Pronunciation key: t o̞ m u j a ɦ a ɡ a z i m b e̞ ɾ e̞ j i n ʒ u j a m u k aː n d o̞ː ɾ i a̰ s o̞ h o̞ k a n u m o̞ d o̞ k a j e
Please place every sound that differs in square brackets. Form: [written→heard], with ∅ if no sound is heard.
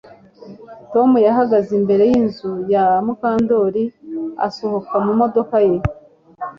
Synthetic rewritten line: t o̞ m u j a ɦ a ɡ a z i m b e̞ ɾ e̞ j i n [ʒ→z] u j a m u k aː n d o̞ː ɾ i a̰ s o̞ h o̞ k a [n→m] u m o̞ d o̞ k a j e